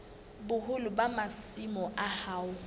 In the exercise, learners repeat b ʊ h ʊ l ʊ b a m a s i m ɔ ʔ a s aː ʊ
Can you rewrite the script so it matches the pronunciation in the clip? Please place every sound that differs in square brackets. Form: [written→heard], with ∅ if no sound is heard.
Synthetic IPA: b ʊ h ʊ l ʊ b a m a s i m ɔ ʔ a [s→h] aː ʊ